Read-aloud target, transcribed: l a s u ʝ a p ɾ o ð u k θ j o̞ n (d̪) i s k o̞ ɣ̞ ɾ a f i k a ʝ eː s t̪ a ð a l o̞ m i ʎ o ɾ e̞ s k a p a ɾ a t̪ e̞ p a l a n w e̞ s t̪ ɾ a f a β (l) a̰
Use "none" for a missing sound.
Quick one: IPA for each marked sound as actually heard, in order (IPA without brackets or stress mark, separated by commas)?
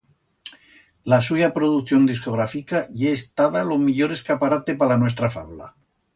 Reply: d̪, l